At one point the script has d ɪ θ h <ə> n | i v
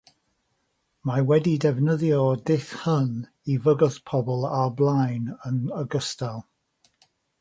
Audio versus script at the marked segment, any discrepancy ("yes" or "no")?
no